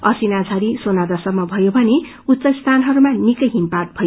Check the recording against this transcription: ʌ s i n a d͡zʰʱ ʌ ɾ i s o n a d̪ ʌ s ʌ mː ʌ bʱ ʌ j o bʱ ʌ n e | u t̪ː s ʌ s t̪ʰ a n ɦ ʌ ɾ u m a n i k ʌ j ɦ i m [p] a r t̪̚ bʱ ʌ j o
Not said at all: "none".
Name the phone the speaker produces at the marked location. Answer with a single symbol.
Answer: p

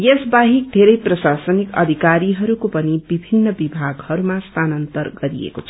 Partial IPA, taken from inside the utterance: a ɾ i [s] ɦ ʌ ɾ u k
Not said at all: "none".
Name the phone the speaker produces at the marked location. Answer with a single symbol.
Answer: none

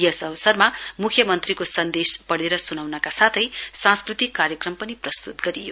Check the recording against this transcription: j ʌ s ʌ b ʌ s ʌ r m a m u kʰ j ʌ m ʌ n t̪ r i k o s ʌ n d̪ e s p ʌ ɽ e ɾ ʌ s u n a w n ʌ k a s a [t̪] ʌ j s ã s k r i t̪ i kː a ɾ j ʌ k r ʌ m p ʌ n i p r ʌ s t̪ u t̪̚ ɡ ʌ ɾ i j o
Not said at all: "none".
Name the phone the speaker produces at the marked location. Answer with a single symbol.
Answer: t̪ʰ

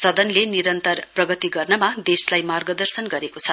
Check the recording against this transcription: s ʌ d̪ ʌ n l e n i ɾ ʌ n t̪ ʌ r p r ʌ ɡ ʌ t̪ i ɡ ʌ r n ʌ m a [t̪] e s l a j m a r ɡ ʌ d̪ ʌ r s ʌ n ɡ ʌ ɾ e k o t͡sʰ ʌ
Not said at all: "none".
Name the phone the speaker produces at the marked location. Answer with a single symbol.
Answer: d̪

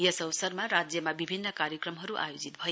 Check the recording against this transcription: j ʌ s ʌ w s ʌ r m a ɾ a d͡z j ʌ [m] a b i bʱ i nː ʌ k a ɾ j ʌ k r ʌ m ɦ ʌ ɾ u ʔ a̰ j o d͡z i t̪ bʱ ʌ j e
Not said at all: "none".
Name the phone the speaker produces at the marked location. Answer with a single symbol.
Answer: m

